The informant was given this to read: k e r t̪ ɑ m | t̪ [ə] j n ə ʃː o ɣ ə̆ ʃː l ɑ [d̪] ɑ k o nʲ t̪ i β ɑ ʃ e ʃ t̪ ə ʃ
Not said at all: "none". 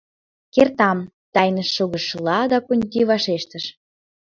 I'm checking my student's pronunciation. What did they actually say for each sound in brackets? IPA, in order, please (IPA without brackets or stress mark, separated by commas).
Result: ɑ, d̪